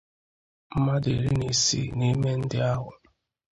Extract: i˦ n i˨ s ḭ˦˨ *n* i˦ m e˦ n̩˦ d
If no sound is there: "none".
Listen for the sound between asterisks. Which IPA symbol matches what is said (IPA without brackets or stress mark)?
n